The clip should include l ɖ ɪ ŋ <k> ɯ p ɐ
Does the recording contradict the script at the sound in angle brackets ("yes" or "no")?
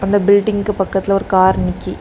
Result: yes